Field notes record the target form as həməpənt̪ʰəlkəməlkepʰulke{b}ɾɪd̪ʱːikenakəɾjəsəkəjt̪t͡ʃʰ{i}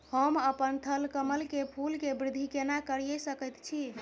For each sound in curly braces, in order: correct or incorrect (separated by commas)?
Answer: correct, correct